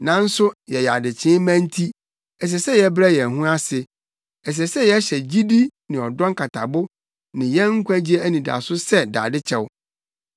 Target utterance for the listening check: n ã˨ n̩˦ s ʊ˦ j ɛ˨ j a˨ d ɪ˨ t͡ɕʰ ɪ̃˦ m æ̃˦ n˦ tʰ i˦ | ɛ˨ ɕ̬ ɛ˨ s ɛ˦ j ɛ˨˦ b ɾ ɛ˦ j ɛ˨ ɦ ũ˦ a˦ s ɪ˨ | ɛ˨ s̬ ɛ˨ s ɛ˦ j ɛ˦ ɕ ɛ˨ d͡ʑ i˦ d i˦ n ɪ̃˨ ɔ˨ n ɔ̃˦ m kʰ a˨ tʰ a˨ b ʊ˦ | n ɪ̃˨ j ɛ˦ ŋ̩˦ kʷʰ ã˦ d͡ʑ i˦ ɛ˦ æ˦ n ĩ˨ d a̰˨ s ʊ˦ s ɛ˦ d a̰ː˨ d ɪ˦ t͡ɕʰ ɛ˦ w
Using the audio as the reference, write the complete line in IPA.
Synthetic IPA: n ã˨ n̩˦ s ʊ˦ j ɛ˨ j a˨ d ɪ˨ t͡ɕʰ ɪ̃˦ m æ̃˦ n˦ tʰ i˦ | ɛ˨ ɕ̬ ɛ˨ s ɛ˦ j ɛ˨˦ b ɾ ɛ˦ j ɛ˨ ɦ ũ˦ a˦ s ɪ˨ | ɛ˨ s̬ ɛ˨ s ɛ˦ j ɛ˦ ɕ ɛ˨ d͡ʑ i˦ d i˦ n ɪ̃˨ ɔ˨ d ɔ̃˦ ŋ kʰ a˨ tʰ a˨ b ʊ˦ | n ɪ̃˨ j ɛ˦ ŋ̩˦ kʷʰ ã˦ d͡ʑ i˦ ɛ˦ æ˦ n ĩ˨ d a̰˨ s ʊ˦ s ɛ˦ d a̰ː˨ d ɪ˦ t͡ɕʰ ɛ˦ w